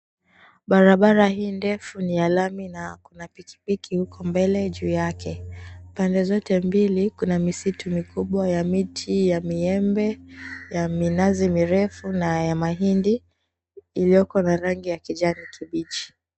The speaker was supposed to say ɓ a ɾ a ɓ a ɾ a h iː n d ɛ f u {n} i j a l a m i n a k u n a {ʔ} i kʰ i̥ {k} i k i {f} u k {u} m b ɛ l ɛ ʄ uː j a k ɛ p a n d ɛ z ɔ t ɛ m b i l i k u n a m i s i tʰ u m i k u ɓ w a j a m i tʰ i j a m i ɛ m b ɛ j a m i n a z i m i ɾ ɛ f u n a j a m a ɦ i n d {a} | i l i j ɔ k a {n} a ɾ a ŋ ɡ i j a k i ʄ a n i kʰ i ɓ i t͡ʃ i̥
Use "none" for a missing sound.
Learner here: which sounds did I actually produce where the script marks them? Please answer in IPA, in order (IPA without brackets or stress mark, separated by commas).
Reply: n, p, p, h, ɔ, i, n